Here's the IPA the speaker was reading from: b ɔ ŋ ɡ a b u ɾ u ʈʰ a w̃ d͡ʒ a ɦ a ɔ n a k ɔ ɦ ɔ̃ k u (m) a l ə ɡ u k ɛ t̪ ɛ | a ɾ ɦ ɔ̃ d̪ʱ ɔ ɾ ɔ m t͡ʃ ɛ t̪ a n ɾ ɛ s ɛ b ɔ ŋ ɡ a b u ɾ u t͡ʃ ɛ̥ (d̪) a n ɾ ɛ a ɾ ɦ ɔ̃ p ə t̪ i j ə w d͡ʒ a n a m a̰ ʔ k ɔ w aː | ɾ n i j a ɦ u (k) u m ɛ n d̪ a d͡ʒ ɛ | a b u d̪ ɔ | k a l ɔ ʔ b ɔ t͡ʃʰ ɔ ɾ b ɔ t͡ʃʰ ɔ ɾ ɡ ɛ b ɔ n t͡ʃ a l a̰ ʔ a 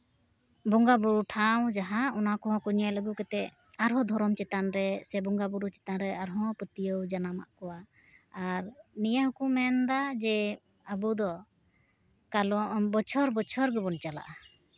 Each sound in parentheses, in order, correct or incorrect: incorrect, incorrect, correct

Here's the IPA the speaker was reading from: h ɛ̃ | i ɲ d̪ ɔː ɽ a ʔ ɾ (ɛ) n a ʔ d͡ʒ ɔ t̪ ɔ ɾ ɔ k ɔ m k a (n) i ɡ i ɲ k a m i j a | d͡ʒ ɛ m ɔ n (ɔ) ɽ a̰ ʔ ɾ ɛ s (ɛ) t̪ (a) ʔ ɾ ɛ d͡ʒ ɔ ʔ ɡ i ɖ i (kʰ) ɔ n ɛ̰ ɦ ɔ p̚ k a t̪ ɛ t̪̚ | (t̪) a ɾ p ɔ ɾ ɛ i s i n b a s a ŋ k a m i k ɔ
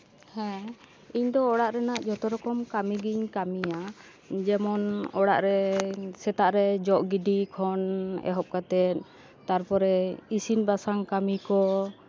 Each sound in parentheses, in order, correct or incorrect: correct, incorrect, correct, correct, correct, correct, correct

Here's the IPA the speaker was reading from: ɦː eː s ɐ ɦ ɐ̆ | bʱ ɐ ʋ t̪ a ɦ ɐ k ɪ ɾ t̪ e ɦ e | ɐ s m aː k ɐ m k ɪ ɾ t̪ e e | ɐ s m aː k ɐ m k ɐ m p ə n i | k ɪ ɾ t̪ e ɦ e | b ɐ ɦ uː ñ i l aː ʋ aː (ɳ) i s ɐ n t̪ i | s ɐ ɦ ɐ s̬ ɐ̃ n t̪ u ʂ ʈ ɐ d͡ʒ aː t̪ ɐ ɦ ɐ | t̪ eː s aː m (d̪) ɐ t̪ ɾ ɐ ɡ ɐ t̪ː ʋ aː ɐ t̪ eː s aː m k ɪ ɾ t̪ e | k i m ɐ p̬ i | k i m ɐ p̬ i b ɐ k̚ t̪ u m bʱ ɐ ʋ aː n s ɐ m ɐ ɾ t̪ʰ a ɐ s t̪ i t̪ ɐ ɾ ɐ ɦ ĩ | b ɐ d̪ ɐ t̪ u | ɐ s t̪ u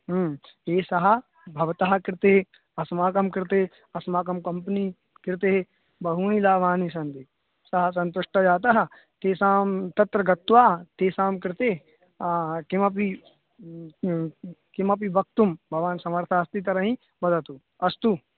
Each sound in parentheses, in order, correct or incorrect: incorrect, incorrect

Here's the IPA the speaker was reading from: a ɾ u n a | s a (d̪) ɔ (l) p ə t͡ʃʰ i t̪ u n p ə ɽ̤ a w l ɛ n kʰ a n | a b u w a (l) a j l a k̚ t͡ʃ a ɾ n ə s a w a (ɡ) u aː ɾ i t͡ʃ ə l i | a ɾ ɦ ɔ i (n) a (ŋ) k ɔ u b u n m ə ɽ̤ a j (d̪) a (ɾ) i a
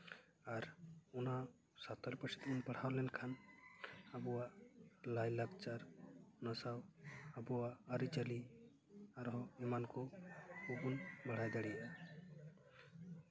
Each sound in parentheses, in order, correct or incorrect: incorrect, correct, correct, incorrect, incorrect, incorrect, correct, incorrect

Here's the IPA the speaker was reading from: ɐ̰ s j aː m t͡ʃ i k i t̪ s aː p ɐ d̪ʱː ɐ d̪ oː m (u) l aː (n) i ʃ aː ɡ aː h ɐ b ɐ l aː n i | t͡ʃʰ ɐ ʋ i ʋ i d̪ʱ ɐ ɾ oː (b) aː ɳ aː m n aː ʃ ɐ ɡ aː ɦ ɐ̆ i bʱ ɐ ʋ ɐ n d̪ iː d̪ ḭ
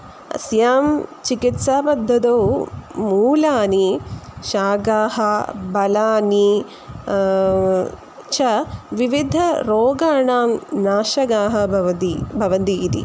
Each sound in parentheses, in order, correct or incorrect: incorrect, correct, incorrect

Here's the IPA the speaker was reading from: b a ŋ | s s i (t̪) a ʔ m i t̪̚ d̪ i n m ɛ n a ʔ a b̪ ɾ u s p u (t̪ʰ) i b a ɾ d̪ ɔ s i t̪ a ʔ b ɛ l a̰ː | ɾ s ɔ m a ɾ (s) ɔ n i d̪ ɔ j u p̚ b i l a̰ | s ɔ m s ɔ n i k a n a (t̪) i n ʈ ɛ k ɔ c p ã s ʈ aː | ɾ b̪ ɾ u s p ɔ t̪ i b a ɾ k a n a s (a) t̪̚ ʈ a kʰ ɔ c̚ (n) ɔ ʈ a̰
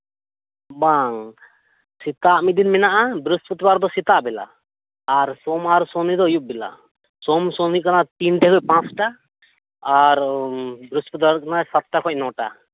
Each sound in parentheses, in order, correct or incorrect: correct, incorrect, correct, correct, correct, correct

